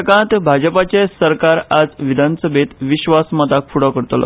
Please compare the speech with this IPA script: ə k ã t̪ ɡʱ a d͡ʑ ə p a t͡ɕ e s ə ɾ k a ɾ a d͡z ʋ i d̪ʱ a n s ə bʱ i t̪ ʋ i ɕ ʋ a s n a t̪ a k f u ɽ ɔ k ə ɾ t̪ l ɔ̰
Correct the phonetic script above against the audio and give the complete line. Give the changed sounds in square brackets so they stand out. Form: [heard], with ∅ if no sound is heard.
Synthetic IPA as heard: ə k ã t̪ [bʱ] a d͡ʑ ə p a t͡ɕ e s ə ɾ k a ɾ a d͡z ʋ i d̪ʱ a n s ə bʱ [e] t̪ ʋ i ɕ ʋ a s [m] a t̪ a k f u ɽ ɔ k ə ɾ t̪ l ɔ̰